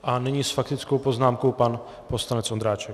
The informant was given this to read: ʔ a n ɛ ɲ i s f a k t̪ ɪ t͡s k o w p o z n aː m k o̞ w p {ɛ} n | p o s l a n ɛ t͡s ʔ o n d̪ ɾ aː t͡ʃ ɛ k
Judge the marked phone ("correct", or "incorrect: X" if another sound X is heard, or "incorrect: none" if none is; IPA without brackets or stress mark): incorrect: a